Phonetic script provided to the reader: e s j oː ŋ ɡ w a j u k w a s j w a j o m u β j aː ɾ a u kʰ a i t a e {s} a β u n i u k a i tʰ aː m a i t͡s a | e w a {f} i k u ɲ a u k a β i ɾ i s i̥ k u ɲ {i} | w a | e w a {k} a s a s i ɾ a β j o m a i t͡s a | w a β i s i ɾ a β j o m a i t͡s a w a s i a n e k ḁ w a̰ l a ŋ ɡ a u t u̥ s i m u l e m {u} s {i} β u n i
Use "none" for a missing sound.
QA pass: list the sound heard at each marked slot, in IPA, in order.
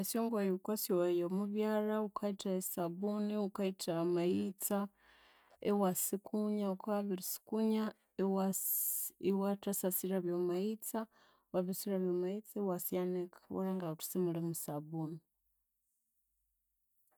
s, s, a, t, u, a

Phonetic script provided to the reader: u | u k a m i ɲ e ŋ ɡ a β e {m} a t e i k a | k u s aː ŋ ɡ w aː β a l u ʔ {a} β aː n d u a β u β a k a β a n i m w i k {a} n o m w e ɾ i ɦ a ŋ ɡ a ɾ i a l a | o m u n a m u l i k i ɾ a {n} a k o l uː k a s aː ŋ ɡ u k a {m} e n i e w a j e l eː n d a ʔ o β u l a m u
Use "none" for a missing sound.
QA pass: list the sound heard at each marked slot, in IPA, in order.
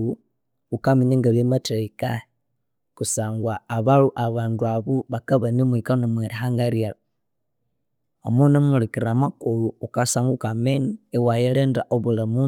m, a, a, m, m

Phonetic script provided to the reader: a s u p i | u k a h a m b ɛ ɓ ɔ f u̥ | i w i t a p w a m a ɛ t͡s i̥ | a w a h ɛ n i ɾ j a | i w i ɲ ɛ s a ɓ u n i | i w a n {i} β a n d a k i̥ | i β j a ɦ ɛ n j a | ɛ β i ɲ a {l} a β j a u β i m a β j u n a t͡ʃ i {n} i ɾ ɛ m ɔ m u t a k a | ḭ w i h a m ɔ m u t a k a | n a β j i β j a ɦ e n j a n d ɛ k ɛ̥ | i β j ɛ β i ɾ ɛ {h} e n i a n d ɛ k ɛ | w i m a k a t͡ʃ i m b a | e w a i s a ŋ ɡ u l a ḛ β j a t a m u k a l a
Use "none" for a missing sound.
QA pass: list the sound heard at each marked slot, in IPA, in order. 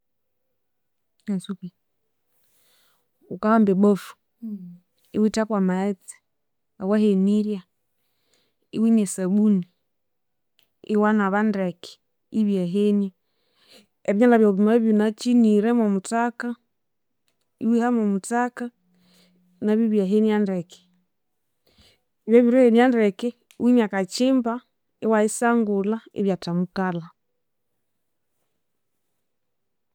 a, l, n, h

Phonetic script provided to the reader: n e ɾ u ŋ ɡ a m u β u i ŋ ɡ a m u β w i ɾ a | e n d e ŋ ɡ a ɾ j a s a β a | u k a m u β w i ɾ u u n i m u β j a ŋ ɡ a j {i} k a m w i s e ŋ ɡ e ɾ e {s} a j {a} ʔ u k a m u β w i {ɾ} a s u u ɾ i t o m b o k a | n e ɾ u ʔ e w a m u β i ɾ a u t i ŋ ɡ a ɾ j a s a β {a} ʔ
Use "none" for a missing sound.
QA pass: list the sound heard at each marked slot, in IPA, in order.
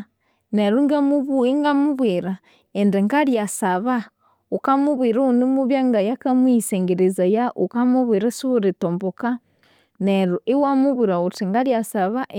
a, z, a, ɾ, a

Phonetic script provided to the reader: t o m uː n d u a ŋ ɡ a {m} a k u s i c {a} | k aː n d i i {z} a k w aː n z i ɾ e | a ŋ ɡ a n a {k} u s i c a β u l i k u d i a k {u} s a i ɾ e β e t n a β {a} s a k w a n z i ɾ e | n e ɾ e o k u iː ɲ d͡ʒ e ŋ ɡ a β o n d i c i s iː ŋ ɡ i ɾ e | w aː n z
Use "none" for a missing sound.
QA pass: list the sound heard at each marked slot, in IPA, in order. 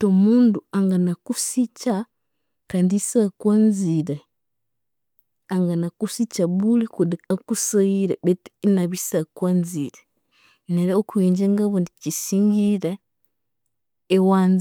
n, a, s, k, u, i

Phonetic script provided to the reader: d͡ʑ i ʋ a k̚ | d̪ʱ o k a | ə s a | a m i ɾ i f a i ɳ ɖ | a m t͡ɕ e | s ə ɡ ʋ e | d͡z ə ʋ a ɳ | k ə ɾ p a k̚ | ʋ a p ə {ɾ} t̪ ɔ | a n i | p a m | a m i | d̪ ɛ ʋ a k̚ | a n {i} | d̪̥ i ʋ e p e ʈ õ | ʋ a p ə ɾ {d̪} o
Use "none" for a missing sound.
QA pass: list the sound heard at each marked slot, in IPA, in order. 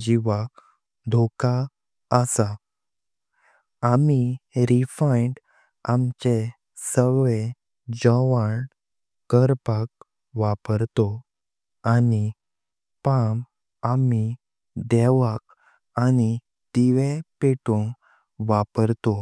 ɾ, i, t̪

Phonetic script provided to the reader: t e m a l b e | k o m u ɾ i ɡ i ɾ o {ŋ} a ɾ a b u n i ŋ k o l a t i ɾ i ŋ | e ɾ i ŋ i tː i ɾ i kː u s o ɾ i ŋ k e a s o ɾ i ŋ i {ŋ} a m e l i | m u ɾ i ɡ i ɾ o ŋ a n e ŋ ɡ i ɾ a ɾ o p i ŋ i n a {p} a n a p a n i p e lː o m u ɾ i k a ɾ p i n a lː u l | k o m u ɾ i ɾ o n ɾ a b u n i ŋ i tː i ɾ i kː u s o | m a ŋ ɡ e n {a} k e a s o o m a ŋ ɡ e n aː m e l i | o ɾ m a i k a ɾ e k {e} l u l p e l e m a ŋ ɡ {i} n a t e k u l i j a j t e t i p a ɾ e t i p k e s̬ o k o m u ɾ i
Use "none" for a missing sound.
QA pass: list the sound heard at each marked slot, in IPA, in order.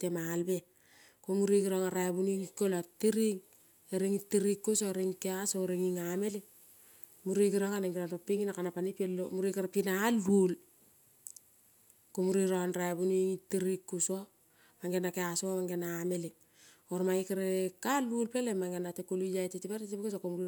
ŋ, ŋ, k, a, a, e

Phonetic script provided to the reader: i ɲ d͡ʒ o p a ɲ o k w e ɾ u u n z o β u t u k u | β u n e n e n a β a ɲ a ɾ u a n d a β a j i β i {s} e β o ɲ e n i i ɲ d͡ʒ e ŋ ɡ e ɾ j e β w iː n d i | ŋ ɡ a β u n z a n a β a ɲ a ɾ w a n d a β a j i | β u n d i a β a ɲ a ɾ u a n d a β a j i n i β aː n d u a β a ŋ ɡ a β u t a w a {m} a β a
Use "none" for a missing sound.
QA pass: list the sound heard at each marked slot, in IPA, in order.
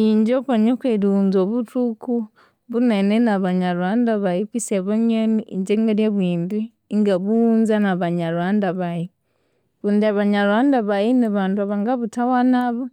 s, n

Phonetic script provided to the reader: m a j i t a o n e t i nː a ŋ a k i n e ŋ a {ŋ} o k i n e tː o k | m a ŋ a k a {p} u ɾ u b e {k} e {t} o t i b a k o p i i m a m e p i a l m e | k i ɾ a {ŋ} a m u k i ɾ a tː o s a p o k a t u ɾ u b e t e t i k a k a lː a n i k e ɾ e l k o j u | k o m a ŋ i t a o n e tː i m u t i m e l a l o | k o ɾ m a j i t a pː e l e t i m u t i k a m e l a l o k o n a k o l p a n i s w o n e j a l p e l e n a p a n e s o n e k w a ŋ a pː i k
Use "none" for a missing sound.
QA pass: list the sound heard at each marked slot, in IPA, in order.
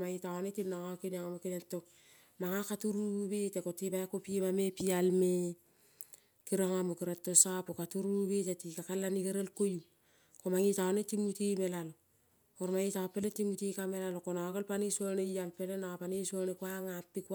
m, t, t, k, ŋ

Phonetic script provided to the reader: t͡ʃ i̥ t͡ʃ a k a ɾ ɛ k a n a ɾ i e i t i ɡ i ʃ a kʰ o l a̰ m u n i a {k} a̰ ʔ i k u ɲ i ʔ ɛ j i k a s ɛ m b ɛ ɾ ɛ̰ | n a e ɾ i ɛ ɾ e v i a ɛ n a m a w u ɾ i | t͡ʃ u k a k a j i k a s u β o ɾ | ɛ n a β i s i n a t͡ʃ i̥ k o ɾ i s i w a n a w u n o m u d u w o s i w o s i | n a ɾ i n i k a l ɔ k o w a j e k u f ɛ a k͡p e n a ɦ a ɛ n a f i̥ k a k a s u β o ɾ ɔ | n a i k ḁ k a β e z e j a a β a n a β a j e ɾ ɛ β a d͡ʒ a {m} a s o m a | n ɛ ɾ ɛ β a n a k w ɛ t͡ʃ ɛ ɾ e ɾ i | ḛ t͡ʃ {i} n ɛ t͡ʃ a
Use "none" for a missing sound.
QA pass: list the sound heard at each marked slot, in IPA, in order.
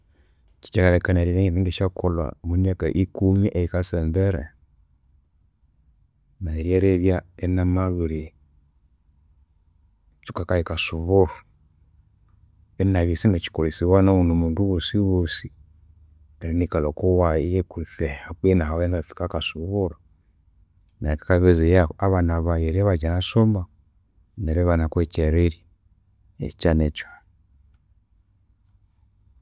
k, n, a

